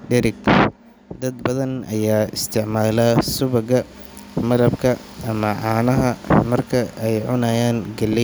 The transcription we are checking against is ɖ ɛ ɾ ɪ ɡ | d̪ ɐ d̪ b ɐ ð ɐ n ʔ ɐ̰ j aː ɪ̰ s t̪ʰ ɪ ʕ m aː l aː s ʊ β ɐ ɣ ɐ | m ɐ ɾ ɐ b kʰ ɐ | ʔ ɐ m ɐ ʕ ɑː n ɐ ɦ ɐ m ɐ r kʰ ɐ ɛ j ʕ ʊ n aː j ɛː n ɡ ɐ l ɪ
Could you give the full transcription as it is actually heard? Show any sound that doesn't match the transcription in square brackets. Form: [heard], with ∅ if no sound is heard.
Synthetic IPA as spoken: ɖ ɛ ɾ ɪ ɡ | d̪ ɐ d̪ b ɐ ð ɐ n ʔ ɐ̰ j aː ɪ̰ s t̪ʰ ɪ ʕ m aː l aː s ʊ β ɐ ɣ ɐ | m ɐ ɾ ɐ b kʰ ɐ | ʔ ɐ m ɐ ʕ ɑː n ɐ ɦ ɐ m ɐ r kʰ ɐ ɛ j ʕ ʊ n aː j [aː] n ɡ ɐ l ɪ